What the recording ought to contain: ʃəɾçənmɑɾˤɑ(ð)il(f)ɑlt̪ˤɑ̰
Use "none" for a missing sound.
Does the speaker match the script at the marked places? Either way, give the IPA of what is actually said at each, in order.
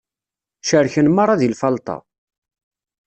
ð, f

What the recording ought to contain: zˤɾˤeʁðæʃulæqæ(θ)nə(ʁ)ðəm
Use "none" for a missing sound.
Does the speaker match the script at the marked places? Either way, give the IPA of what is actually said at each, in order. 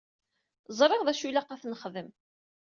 θ, χ

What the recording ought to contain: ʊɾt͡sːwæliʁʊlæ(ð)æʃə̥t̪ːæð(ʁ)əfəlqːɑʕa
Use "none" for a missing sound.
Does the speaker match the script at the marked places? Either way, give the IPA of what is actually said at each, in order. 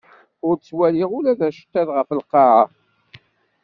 ð, ʁ

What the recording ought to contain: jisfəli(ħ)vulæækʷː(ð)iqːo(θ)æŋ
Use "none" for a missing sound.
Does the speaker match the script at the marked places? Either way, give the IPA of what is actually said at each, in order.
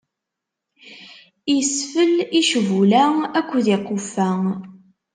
ʃ, ð, f

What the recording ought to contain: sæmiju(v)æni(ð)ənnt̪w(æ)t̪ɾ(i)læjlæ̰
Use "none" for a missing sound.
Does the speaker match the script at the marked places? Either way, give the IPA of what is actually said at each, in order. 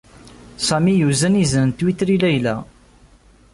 z, z, i, i

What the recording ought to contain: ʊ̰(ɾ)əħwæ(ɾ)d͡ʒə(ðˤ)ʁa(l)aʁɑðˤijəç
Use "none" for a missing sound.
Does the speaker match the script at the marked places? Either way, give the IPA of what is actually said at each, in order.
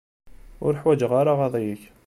ɾ, none, none, ɾ

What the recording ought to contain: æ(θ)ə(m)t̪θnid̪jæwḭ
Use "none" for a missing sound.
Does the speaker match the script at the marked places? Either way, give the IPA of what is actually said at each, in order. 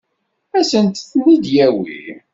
s, n

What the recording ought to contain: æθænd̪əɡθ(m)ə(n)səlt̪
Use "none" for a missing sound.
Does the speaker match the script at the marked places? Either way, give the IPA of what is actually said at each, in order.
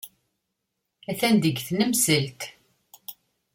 n, m

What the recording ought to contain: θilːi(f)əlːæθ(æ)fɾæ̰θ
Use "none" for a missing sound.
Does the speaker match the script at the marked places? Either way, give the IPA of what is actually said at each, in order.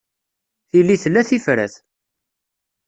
θ, i

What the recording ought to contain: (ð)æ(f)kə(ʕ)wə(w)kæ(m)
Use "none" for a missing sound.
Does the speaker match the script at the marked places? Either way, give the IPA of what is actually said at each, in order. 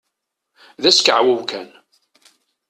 ð, s, ʕ, w, n

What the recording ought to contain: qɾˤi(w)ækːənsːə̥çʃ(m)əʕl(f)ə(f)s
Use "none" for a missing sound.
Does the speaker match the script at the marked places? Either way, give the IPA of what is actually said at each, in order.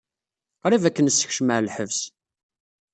v, m, ħ, v

